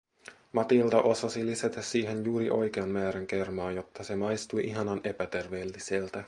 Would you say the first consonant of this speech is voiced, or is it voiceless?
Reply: voiced